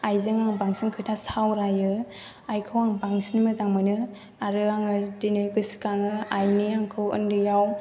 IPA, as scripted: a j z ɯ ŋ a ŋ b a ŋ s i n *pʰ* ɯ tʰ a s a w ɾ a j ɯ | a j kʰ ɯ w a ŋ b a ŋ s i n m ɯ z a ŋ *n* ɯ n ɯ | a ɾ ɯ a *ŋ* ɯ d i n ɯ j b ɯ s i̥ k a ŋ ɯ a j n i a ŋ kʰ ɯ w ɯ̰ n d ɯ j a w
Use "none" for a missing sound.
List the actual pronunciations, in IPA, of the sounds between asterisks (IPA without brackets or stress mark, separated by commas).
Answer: kʰ, m, ŋ